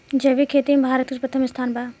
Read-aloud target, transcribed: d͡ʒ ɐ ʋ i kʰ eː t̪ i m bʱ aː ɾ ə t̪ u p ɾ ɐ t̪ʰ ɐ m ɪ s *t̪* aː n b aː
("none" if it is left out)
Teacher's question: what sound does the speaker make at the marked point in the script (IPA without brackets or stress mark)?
t̪ʰ